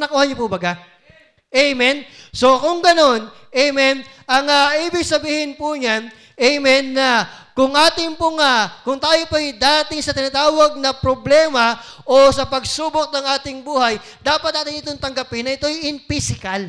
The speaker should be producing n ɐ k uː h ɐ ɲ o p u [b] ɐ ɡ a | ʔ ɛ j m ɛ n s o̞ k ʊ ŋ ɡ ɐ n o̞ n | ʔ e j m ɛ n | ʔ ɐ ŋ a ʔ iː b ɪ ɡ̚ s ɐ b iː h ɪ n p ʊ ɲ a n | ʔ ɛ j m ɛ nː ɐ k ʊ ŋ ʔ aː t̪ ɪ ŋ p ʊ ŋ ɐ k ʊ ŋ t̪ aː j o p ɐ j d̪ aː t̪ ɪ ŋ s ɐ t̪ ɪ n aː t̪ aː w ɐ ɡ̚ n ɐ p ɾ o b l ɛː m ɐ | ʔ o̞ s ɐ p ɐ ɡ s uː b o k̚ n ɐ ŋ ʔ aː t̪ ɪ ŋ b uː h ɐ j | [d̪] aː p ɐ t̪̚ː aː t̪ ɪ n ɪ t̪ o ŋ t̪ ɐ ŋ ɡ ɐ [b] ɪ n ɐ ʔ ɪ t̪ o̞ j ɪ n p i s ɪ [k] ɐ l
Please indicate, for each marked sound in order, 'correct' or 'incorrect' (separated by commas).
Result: correct, correct, incorrect, correct